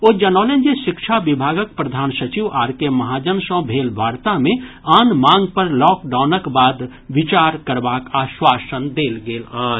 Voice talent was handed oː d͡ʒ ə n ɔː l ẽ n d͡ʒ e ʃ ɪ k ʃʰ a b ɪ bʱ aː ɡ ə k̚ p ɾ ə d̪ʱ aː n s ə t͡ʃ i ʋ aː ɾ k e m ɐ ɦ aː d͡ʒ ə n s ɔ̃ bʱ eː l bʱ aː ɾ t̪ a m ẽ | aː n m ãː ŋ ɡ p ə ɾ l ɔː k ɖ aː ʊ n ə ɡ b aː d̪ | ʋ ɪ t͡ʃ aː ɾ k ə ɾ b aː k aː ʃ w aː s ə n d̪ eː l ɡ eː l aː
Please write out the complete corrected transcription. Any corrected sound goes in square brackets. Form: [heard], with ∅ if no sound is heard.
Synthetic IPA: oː d͡ʒ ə n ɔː l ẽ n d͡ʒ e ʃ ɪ k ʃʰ a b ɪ bʱ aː ɡ ə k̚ p ɾ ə d̪ʱ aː n s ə t͡ʃ i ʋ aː ɾ k e m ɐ ɦ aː d͡ʒ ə n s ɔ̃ bʱ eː l bʱ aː ɾ t̪ a m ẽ | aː n m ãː ŋ ɡ p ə ɾ l ɔː k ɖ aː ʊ n ə [k] b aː d̪ | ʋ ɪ t͡ʃ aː ɾ k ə ɾ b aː k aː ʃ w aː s ə n d̪ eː l ɡ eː l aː